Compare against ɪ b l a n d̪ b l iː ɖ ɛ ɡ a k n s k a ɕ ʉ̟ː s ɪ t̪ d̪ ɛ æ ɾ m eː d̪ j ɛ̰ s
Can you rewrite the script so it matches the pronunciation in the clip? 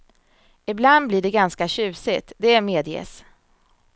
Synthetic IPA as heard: ɪ b l a n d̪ b l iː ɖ ɛ ɡ a n s k a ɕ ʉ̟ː s ɪ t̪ d̪ ɛ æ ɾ m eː d̪ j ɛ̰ s

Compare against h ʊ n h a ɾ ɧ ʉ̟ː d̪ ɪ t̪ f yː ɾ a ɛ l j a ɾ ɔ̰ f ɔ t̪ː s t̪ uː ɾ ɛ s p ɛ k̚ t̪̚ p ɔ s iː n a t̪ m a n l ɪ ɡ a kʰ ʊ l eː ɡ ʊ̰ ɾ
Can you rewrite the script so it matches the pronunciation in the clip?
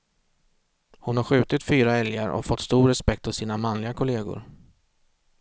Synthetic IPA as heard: h ʊ n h a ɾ ɧ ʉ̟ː t̪ ɪ t̪ f yː ɾ a ɛ l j a ɾ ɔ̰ f ɔ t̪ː s t̪ uː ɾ ɛ s p ɛ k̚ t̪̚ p ɔ s iː n a m a n l ɪ ɡ a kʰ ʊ l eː ɡ ʊ̰ ɾ

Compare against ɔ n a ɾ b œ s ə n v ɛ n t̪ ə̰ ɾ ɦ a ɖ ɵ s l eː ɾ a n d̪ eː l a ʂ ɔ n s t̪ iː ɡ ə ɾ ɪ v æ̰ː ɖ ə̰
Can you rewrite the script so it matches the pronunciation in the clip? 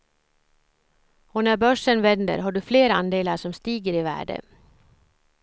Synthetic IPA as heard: ɔ n æ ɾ b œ ʂ ə n v ɛ n d̪ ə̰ ɾ ɦ a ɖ ɵ f l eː ɾ a n d̪ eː l a ʂ ɔ m s t̪ iː ɡ ə ɾ ɪ v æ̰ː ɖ ə̰

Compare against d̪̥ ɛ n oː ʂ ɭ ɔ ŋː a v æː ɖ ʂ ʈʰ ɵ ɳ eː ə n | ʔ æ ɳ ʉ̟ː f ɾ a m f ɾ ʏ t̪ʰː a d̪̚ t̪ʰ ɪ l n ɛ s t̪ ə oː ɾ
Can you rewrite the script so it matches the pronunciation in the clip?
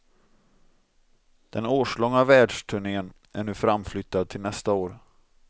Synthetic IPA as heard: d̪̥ ɛ n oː ʂ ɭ ɔ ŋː a v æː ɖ ʂ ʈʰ ɵ ɳ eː ə n | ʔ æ ɳ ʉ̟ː f ɾ a m f l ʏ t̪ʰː a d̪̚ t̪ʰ ɪ l n ɛ s t̪ a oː ɾ

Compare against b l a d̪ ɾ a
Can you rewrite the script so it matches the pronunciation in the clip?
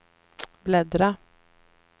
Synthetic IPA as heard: b l ɛ d̪ ɾ a

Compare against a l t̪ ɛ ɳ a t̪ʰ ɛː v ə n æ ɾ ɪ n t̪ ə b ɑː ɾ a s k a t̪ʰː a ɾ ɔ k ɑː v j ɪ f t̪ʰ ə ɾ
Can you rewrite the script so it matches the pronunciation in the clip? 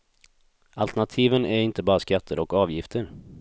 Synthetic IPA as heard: a l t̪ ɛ ɳ a t̪ʰ iː v ə n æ ɾ ɪ n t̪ ə b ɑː ɾ a s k a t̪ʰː ə ɾ ɔ k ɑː v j ɪ f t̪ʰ ə ɾ

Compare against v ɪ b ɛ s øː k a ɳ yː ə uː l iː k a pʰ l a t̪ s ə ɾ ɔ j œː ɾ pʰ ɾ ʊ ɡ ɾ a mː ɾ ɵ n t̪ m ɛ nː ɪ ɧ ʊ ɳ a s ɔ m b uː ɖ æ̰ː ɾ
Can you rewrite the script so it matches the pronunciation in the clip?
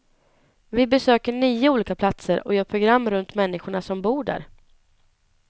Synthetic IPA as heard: v ɪ b ɛ s øː k ə ɳ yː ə uː l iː k a pʰ l a t̪ s ə ɾ ɔ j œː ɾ pʰ ɾ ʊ ɡ ɾ a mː ɾ ɵ n t̪ m ɛ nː ɪ ɧ ʊ ɳ a s ɔ m b uː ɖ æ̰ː ɾ

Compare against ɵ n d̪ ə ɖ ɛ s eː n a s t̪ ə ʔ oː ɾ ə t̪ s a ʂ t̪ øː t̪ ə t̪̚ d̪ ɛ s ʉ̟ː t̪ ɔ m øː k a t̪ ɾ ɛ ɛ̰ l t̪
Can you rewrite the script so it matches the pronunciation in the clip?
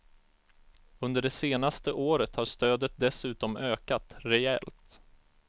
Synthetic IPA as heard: ɵ n d̪ ə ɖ ɛ s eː n a s t̪ ə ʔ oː ɾ ə t̪ h a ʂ t̪ øː d̪ ə t̪̚ d̪ ɛ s ʉ̟ː t̪ ɔ m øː k a t̪ ɾ ɛ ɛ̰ l t̪

